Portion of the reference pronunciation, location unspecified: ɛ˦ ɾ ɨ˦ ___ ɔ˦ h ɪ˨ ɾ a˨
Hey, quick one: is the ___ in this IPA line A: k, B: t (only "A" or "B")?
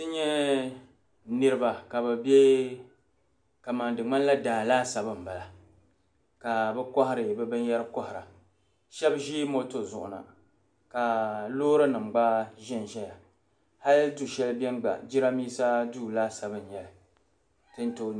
A